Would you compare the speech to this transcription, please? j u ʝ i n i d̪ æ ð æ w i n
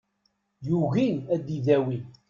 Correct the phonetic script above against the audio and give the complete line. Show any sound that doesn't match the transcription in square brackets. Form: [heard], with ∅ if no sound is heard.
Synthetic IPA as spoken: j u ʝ i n [æ] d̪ [i] ð æ w i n